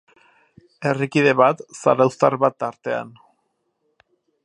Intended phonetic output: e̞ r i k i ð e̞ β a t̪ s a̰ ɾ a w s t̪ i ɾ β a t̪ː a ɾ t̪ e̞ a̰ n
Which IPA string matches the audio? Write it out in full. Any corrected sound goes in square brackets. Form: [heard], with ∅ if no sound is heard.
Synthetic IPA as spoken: e̞ r i k i ð e̞ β a t̪ s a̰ ɾ a w s t̪ [a] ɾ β a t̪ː a ɾ t̪ e̞ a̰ n